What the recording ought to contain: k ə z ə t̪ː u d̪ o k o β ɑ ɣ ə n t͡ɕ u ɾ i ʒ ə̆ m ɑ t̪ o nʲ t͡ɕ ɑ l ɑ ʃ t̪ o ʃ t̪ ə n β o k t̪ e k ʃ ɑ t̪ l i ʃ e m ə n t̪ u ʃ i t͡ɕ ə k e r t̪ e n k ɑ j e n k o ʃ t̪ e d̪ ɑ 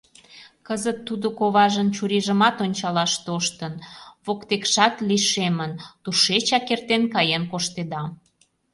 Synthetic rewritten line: k ə z ə t̪ː u d̪ o k o β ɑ ʒ ə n t͡ɕ u ɾ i ʒ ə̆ m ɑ t̪ o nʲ t͡ɕ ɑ l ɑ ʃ t̪ o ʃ t̪ ə n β o k t̪ e k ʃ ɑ t̪ l i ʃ e m ə n t̪ u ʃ e t͡ɕ ɑ k e r t̪ e n k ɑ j e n k o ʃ t̪ e d̪ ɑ

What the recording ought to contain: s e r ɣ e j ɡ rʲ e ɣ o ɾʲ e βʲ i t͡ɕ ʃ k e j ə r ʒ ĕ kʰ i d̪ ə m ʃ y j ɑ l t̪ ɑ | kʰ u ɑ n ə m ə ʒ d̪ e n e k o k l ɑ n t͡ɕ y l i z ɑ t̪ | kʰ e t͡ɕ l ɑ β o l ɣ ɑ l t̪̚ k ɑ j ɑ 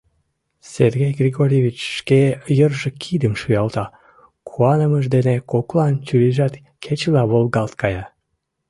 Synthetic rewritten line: s e r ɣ e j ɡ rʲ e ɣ o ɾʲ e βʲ i t͡ɕ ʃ k e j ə r ʒ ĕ kʰ i d̪ ə m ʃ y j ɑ l t̪ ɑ | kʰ u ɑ n ə m ə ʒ d̪ e n e k o k l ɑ n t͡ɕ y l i ʒ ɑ t̪ | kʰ e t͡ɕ l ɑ β o l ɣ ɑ l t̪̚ k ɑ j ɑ

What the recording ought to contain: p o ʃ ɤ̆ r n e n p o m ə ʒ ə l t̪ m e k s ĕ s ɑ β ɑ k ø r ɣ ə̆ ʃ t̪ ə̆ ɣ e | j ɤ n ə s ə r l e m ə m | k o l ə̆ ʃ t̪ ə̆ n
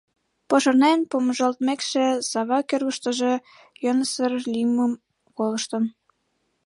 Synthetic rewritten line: p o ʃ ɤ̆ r n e n p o m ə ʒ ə l t̪ m e k ʃ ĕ s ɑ β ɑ k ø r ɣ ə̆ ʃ t̪ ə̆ ʒ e | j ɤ n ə s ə r l i m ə m | k o l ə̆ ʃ t̪ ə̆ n

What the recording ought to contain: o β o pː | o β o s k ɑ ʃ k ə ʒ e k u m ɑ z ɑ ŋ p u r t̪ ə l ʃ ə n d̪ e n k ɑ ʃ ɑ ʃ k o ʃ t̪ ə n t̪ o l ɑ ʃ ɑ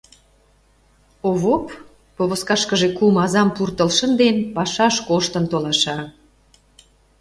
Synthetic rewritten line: o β o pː | o β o s k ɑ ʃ k ə ʒ e k u m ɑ z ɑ m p u r t̪ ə l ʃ ə n d̪ e n p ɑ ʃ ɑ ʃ k o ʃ t̪ ə n t̪ o l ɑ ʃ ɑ

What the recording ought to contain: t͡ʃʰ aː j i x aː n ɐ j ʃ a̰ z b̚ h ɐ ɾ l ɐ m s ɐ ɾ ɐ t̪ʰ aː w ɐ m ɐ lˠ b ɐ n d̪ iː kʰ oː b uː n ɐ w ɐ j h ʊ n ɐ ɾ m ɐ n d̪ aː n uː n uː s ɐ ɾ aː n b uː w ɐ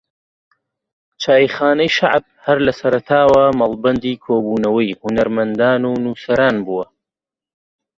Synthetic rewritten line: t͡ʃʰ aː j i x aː n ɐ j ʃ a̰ ʕ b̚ h ɐ ɾ l ɐ s ɐ ɾ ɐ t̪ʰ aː w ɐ m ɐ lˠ b ɐ n d̪ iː kʰ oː b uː n ɐ w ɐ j h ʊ n ɐ ɾ m ɐ n d̪ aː n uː n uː s ɐ ɾ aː n b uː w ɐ

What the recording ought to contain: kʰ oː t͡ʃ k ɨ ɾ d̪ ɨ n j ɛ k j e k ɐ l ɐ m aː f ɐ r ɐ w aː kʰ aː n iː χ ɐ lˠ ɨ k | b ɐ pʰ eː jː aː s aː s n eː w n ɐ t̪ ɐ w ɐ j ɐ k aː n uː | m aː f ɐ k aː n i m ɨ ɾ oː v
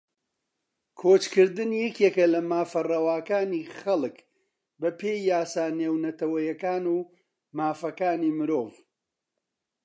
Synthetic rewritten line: kʰ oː t͡ʃ k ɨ ɾ d̪ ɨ n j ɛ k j e k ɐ l ɐ m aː f ɐ r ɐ w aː k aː n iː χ ɐ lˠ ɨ k | b ɐ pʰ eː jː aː s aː n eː w n ɐ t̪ ɐ w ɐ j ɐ k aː n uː | m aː f ɐ k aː n i m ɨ ɾ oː v

